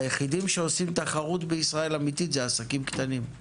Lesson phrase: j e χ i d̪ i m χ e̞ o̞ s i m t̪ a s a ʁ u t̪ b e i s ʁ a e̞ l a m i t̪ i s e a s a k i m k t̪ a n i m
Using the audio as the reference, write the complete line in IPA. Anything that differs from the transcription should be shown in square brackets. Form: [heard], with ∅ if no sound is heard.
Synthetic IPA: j e χ i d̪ i m [ʃ] e̞ o̞ s i m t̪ a [χ] a ʁ u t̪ b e i s ʁ a e̞ l a m i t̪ i [z] e a s a k i m k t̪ a n i m